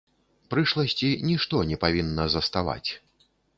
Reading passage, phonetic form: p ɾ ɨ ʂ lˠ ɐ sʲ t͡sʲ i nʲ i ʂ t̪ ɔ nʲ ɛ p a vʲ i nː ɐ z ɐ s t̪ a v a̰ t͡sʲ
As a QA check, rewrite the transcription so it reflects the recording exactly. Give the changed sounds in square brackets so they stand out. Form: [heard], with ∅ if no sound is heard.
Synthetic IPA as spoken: p ɾ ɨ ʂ lˠ ɐ sʲ t͡sʲ i nʲ i ʂ t̪ ɔ nʲ ɛ p a vʲ i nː ɐ z ɐ s t̪ a v a̰ t͡sʲ